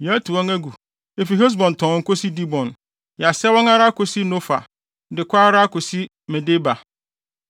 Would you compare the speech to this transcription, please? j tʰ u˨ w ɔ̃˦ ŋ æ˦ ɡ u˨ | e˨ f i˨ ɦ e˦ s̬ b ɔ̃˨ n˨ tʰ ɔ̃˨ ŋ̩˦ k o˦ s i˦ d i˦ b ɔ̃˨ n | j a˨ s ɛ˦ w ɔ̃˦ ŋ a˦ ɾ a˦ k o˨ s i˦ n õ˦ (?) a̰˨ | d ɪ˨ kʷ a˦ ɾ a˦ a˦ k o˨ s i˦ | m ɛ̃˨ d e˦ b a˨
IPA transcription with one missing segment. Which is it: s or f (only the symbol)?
f